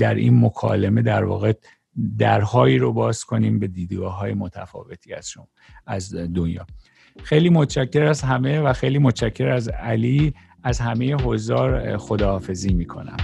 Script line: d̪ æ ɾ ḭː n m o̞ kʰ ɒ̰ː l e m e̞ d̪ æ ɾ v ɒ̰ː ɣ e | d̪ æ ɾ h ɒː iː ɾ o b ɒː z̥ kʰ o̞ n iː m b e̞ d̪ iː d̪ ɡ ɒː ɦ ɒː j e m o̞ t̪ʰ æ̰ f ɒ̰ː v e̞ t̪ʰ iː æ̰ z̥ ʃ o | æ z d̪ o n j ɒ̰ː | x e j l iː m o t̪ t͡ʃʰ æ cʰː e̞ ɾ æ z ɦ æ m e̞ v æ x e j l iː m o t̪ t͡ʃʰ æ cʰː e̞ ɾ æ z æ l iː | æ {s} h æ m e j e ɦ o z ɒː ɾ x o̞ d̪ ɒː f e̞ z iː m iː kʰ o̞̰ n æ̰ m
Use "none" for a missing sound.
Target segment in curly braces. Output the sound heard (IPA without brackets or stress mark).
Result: z